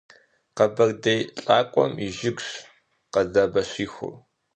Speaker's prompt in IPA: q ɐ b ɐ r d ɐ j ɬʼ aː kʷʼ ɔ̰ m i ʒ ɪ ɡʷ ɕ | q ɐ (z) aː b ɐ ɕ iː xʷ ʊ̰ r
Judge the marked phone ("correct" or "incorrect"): correct